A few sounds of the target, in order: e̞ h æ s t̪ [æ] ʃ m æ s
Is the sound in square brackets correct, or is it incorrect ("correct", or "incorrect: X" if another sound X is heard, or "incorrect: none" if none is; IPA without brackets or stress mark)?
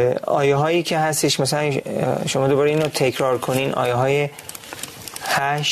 incorrect: e